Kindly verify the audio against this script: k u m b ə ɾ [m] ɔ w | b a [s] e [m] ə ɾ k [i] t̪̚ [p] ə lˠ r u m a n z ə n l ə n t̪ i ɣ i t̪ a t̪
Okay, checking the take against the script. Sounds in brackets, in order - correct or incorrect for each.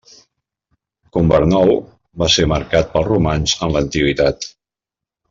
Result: incorrect: n, correct, correct, incorrect: a, correct

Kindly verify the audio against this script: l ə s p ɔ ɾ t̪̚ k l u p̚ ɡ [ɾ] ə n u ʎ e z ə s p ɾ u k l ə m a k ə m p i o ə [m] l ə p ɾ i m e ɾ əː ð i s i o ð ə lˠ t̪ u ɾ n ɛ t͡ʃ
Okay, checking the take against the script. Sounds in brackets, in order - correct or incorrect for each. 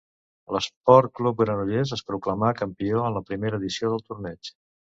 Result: correct, incorrect: n

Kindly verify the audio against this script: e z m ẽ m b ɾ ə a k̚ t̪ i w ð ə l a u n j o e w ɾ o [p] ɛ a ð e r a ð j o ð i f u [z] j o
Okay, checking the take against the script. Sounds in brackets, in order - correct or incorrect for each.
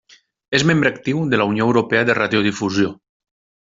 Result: correct, correct

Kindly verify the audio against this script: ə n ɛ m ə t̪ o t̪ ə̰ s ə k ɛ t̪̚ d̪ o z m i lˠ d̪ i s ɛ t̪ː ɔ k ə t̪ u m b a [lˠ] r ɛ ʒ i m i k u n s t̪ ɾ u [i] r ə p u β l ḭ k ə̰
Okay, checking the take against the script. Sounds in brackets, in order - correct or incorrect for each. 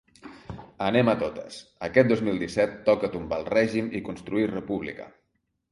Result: correct, correct

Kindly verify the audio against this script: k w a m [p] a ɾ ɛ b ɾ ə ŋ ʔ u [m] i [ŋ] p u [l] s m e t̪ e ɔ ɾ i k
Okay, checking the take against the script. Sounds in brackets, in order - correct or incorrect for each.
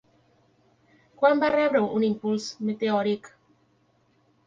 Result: incorrect: b, incorrect: n, incorrect: m, correct

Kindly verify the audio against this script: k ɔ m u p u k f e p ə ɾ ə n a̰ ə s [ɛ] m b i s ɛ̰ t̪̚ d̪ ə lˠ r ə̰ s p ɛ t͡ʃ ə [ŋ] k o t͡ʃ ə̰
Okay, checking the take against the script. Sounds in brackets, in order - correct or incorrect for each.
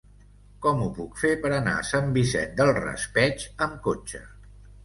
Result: incorrect: a, incorrect: m

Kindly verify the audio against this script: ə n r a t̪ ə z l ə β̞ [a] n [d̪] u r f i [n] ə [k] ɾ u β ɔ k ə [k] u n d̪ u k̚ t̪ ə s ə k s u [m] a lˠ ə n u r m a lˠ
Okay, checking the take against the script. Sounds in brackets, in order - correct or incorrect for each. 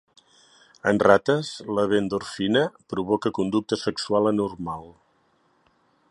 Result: incorrect: e, correct, correct, incorrect: p, correct, incorrect: none

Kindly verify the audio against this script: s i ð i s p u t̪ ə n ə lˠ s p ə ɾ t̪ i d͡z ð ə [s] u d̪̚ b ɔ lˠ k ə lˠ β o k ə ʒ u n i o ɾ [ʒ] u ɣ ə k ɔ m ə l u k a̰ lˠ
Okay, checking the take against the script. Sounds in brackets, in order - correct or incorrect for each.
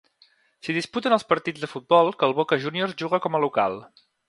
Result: incorrect: f, correct

